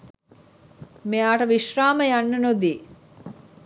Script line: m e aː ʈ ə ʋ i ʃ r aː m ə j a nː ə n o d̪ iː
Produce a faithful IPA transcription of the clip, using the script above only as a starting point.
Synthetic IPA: m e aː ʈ ə ʋ i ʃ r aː m ə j a nː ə n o d̪ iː